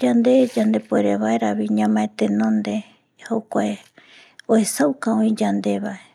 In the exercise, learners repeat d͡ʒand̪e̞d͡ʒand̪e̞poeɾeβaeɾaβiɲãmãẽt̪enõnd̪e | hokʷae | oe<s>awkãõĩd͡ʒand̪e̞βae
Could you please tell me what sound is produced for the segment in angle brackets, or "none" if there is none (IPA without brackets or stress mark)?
s